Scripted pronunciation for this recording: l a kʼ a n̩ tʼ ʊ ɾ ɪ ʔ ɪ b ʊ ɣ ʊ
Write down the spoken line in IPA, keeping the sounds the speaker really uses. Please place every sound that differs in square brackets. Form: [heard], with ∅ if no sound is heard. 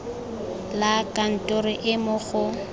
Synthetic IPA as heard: l a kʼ a n̩ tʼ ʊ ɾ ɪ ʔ ɪ [m] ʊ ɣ ʊ